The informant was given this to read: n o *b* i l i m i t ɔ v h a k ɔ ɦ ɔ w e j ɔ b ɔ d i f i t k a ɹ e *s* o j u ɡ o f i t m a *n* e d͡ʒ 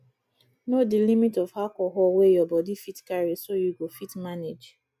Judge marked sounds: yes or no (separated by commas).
no, yes, yes